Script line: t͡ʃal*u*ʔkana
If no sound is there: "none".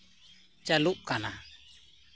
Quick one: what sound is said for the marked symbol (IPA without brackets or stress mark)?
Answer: u